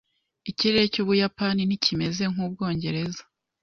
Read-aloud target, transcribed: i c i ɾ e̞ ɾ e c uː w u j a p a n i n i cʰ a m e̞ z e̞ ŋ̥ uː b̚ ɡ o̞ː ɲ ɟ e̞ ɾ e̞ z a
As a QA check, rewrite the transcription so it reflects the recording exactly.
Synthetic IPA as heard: i c i ɾ e̞ ɾ e c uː β u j a p a n i n i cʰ i m e̞ z e̞ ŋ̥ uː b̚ ɡ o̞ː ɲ ɟ e̞ ɾ e̞ z a

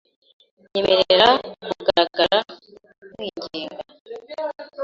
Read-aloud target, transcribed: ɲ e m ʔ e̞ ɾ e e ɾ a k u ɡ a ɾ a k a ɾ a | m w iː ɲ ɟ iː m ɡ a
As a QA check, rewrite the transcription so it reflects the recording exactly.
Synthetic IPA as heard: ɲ e m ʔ e̞ ɾ e e ɾ a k u ɡ a ɾ a ɡ a ɾ a | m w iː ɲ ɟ iː ŋ ɡ a

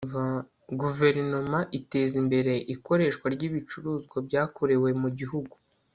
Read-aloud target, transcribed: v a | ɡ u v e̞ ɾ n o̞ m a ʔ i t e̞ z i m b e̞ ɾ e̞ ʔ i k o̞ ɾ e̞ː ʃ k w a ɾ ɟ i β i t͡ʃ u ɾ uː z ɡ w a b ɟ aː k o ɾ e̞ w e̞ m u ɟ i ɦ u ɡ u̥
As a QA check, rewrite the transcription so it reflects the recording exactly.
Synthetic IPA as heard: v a | ɡ u v e̞ ɾ n o̞ m a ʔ i t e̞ z i m b e̞ ɾ e̞ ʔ i k o̞ ɾ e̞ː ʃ k w a ɾ ɟ i β i t͡ʃ u ɾ uː z ɡ w a b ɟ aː k o ɾ e̞ w e̞ m u ɟ i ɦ u ɡ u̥

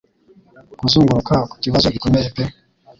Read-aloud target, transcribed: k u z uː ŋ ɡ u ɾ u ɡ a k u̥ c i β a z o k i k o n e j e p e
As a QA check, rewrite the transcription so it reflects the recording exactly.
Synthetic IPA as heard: k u z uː ŋ ɡ u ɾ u k a k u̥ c i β a z o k i k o m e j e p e

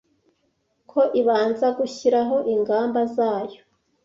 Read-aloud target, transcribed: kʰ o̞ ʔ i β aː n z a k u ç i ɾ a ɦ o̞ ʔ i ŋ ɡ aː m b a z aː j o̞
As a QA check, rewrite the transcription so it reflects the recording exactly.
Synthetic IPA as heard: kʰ o̞ ʔ i β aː n z a ɡ u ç i ɾ a ɦ o̞ ʔ i ŋ ɡ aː m b a z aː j o̞

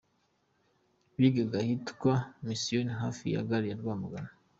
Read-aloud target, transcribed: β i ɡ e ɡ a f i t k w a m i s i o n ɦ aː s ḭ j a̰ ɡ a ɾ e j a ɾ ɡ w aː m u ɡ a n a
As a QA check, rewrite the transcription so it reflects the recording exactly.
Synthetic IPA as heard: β i ɡ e ɡ a h i t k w a m i s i o n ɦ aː f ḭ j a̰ ɡ a ɾ i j a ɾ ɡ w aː m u ɡ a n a

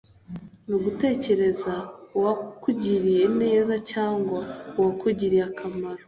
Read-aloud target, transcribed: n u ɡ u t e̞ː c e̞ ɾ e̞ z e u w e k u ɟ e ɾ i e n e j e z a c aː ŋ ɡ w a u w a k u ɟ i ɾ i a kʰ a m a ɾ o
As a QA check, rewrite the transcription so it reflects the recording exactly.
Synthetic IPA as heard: n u ɡ u t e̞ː c e̞ ɾ e̞ z a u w a k u ɟ i ɾ i e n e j e z a c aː ŋ ɡ w a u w a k u ɟ i ɾ i a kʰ a m a ɾ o

